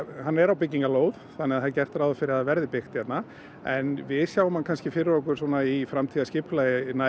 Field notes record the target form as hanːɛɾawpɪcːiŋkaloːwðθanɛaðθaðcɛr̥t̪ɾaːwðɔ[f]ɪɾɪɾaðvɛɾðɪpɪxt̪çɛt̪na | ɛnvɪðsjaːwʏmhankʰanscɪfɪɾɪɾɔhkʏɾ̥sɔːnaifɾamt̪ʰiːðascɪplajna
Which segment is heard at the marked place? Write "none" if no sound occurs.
f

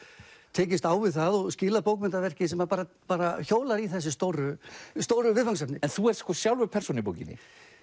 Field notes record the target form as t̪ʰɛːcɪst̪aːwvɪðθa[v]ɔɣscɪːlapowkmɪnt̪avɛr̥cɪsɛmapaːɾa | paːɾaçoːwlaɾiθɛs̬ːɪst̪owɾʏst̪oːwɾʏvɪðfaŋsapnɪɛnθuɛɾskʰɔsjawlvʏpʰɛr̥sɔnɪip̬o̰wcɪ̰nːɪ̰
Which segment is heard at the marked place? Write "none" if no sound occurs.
ð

